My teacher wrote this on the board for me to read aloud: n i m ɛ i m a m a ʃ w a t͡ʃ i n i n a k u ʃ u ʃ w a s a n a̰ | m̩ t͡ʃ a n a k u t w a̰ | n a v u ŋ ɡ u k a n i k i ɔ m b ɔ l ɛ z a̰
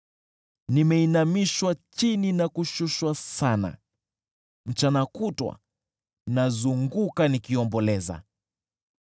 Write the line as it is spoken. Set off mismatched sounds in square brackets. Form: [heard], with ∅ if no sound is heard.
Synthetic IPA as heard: n i m ɛ i [n] a m [i] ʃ w a t͡ʃ i n i n a k u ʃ u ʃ w a s a n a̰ | m̩ t͡ʃ a n a k u t w a̰ | n a [z] u ŋ ɡ u k a n i k i ɔ m b ɔ l ɛ z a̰